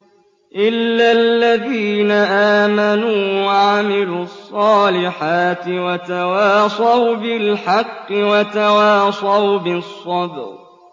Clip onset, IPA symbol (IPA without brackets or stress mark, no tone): ʔ